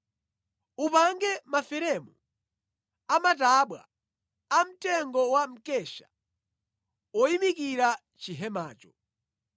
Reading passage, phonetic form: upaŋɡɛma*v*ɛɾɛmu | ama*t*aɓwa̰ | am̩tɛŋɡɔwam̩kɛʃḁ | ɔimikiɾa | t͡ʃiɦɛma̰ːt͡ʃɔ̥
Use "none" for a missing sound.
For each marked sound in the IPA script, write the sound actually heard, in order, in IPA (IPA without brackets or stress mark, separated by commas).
f, t